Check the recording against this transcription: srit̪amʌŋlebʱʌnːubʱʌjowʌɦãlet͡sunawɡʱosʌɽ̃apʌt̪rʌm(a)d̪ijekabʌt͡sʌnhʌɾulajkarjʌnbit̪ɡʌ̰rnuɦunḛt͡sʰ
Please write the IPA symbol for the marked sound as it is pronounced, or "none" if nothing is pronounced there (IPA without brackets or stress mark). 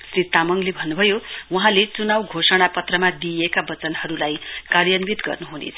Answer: a